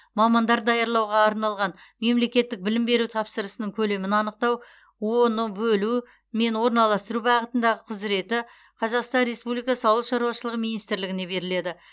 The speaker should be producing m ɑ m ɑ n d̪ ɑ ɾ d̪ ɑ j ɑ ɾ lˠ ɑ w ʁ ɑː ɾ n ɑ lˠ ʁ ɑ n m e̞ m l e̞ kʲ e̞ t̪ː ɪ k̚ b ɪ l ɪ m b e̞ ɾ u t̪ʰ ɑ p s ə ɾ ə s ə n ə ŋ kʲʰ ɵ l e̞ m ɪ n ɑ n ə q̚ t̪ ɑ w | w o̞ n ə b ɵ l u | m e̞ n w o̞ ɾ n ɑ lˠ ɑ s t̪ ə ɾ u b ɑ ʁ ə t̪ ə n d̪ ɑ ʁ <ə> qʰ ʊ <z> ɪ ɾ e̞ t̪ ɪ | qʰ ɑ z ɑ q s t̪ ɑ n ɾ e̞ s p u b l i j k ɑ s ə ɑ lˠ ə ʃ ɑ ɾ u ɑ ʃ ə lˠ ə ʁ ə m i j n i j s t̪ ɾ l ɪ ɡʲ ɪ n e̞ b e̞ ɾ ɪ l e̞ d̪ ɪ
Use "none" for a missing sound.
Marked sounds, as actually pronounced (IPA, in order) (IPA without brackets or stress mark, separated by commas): ə, z